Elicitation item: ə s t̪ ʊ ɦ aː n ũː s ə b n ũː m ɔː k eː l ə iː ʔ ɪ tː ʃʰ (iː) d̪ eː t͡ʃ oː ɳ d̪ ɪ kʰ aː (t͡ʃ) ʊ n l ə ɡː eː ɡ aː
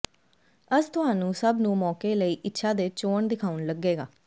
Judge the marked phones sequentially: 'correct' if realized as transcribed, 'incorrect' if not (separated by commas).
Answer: incorrect, incorrect